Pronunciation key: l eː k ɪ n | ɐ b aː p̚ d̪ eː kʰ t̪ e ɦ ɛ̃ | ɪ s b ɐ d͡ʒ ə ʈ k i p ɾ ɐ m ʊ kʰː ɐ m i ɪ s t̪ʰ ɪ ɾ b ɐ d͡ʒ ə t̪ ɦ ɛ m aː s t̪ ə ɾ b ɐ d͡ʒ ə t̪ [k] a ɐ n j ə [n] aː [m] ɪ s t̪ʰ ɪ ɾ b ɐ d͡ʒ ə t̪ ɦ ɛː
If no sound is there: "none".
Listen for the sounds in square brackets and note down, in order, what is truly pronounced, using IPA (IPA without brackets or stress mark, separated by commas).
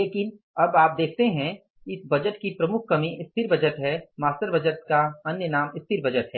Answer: k, n, m